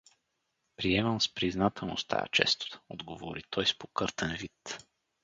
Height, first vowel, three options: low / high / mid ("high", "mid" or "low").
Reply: high